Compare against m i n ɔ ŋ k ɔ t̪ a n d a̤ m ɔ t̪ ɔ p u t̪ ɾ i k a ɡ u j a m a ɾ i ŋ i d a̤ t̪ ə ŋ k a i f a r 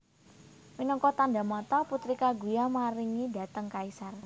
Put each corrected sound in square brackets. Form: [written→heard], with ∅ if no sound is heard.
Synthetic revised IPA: m i n ɔ ŋ k ɔ t̪ a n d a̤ m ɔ t̪ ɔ p u t̪ ɾ i k a ɡ u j a m a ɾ i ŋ i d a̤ t̪ ə ŋ k a i [f→s] a r